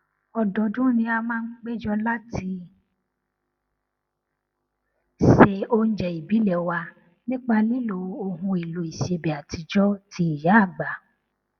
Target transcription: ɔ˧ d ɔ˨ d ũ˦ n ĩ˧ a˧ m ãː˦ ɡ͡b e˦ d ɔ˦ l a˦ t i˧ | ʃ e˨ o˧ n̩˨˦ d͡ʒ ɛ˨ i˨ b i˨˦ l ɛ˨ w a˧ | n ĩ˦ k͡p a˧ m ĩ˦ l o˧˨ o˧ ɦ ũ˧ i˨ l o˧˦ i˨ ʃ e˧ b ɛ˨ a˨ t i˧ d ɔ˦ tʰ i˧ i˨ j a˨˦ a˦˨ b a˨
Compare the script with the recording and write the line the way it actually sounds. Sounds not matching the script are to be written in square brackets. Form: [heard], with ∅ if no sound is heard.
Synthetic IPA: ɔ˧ d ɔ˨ d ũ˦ n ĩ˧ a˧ m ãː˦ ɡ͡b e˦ [d͡ʒ] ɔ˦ l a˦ t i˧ | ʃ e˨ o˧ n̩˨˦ d͡ʒ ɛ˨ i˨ b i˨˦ l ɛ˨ w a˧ | n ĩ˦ k͡p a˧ [n] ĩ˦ l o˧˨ o˧ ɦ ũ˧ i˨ l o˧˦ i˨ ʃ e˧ b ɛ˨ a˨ t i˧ [d͡ʒ] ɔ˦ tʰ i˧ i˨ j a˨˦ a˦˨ [ɡ͡b] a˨